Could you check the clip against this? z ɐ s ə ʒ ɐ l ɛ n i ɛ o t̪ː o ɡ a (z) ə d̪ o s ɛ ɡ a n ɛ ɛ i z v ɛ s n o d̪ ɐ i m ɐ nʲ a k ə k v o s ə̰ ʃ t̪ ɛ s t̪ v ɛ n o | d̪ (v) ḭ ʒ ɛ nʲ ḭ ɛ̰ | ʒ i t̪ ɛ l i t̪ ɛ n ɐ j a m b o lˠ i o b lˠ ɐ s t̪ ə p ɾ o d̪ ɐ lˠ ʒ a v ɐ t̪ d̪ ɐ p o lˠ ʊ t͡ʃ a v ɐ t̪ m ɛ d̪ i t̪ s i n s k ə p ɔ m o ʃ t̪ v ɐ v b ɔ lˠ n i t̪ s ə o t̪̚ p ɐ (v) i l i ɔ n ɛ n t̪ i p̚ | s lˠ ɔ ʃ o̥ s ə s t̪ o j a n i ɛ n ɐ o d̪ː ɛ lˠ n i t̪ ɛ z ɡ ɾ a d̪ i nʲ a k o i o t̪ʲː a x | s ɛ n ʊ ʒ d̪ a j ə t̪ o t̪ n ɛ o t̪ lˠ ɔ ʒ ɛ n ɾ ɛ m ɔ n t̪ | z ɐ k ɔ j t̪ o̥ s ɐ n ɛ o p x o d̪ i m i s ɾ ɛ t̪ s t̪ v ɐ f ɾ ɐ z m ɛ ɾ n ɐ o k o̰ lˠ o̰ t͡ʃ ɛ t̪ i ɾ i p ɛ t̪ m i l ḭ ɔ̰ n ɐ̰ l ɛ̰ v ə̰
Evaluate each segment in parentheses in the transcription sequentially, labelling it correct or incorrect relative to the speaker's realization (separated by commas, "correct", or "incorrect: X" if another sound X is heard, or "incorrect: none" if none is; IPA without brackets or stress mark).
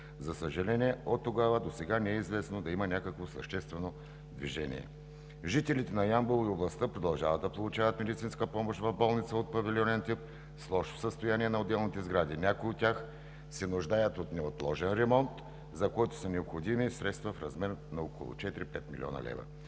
incorrect: v, correct, correct